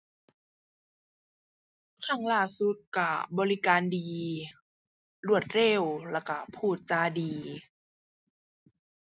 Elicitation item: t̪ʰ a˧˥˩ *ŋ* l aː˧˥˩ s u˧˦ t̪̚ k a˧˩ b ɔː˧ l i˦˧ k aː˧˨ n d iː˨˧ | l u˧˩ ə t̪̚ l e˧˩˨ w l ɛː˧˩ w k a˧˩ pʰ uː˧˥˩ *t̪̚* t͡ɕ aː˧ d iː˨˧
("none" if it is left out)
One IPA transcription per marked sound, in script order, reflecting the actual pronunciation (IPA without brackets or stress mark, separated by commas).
ŋ, t̪̚